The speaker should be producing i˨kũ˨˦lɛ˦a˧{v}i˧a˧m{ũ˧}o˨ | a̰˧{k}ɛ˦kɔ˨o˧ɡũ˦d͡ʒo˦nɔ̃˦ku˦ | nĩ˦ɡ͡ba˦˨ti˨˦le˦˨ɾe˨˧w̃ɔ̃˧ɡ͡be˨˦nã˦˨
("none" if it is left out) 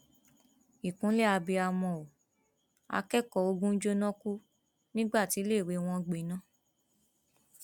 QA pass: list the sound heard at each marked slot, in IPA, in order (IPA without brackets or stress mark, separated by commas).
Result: b, ɔ̃˧, k